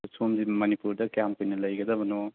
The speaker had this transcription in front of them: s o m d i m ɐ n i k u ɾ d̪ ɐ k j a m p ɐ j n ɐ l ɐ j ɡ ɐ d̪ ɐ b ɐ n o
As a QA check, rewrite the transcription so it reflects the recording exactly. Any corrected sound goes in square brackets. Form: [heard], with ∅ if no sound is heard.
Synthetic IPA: s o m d i m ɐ n i [p] u ɾ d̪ ɐ k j a m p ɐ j n ɐ l ɐ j ɡ ɐ d̪ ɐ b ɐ n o